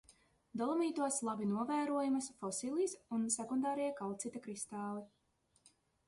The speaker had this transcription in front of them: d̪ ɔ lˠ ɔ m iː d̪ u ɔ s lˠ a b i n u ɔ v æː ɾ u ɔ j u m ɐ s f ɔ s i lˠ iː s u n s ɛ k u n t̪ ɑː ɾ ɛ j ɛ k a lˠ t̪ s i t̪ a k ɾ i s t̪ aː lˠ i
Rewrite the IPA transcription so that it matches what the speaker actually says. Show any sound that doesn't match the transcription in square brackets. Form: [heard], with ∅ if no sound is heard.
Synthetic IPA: d̪ ɔ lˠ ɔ m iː [t̪] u ɔ s lˠ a b i n u ɔ v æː ɾ u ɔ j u m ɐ s f ɔ s i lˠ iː s u n s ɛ k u n [d̪] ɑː ɾ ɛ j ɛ k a lˠ t̪ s i t̪ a k ɾ i s t̪ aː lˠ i